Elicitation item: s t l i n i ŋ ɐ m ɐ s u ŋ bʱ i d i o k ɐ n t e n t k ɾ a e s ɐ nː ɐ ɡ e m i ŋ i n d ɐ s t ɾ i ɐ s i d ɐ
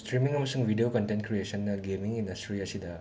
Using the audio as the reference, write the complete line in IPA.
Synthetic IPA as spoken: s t ɾ i m i ŋ ɐ m ɐ s u ŋ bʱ i d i o k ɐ n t e n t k ɾ i e s ɐ nː ɐ ɡ e m i ŋ i n d ɐ s t ɾ i ɐ s i d ɐ